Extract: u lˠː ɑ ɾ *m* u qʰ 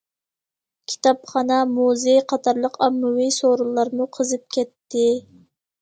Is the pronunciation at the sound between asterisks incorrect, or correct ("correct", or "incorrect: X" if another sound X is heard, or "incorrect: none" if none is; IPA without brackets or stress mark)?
correct